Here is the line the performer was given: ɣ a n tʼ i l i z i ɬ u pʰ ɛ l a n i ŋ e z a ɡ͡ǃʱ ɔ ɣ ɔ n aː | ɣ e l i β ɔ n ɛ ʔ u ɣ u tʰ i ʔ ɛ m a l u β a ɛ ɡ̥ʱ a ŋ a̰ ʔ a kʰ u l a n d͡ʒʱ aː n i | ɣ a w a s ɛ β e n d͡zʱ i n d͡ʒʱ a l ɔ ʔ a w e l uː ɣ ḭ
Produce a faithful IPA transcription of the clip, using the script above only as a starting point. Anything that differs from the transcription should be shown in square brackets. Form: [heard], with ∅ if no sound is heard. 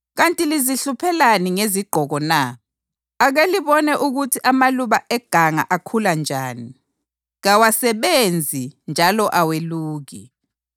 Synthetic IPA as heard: ɣ a n tʼ i l i z i ɬ u pʰ ɛ l a n i ŋ e z [i] ɡ͡ǃʱ ɔ ɣ ɔ n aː | ɣ e l i β ɔ n ɛ ʔ u ɣ u tʰ i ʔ [a] m a l u β a ɛ ɡ̥ʱ a ŋ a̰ ʔ a kʰ u l a n d͡ʒʱ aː n i | ɣ a w a s ɛ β e n d͡zʱ i n d͡ʒʱ a l ɔ ʔ a w e l uː ɣ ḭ